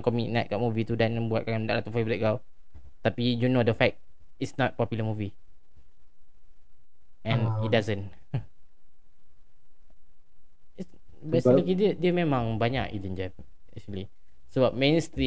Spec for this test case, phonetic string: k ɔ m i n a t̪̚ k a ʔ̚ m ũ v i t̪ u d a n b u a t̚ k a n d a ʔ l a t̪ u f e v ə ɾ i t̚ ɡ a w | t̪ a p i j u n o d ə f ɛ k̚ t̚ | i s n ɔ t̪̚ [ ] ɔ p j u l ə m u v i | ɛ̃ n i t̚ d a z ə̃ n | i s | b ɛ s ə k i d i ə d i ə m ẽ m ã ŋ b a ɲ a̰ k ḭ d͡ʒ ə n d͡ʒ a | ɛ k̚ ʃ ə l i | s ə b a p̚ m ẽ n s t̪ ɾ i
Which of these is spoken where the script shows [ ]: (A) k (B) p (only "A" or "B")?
B